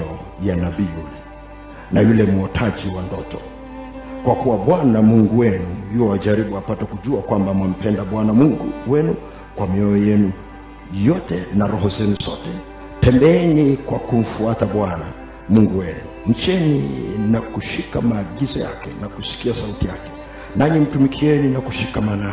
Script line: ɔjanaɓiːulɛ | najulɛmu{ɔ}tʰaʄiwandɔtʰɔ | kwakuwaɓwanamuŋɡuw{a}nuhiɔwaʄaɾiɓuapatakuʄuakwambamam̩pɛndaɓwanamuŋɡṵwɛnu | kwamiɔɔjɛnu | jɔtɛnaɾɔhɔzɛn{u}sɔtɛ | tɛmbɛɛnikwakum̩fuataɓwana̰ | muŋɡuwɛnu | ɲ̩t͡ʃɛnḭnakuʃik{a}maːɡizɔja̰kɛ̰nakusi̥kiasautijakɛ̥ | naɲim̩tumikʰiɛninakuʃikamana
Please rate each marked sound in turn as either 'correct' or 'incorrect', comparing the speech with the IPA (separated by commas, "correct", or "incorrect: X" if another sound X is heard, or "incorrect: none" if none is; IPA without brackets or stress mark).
correct, incorrect: ɛ, correct, correct